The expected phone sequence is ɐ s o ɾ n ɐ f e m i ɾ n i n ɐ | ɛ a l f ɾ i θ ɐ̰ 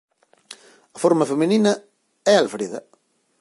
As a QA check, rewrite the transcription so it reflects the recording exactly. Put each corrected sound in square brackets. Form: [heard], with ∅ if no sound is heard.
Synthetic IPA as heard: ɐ [f] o ɾ [m] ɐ f e m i [∅] n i n ɐ | ɛ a l f ɾ i [ð] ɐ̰